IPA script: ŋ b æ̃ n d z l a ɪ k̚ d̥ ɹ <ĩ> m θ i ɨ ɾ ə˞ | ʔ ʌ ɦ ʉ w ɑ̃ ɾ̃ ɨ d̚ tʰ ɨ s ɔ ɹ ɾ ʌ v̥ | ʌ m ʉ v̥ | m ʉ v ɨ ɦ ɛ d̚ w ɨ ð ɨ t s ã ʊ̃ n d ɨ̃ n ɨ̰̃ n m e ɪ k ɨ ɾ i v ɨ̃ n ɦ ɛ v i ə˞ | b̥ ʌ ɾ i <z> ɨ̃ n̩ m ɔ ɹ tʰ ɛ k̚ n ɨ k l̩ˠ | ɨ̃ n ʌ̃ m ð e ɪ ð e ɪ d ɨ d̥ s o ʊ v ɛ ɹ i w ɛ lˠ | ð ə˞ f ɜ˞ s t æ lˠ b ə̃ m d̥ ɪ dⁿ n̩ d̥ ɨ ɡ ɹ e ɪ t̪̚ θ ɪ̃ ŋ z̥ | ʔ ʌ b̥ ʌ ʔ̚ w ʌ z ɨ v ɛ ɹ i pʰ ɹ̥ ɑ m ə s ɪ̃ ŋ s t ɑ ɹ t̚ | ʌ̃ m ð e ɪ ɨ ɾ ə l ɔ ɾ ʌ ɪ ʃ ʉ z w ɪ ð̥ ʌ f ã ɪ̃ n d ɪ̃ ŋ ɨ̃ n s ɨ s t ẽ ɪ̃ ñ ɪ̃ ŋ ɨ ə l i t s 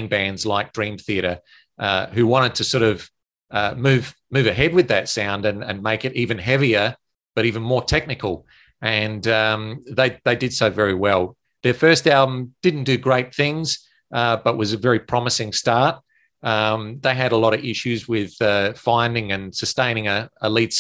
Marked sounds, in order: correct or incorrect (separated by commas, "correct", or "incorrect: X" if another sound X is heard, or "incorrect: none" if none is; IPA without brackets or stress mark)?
correct, incorrect: v